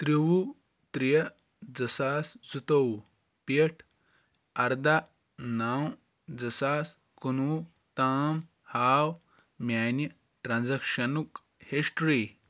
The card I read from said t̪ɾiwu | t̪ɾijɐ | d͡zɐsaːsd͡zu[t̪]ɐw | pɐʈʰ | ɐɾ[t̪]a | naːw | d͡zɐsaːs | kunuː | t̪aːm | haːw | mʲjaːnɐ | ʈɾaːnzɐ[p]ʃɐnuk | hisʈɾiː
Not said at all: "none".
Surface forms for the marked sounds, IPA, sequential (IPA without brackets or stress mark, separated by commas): t̪, d̪, k